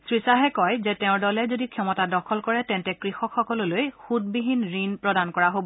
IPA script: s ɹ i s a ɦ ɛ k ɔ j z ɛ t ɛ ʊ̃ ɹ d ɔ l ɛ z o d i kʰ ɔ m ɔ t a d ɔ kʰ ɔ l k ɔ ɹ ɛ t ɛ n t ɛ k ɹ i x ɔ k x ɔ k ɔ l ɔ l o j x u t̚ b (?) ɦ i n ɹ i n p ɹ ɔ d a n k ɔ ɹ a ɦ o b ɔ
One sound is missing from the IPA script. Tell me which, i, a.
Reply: i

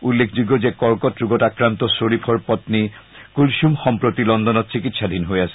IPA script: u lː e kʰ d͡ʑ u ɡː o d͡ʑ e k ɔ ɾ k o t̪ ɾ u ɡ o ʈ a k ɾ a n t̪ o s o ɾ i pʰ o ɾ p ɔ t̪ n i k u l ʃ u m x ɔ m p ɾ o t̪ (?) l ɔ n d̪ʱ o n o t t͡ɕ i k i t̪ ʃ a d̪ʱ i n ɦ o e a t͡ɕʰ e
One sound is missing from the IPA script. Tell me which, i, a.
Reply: i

